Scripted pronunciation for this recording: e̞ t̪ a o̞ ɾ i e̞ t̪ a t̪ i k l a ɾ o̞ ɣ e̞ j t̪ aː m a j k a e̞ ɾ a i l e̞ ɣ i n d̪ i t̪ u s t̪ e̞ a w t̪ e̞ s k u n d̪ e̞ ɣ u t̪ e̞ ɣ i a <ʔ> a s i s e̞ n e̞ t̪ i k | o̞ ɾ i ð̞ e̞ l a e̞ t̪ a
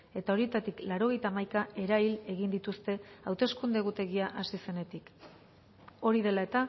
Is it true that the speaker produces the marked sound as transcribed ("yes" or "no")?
yes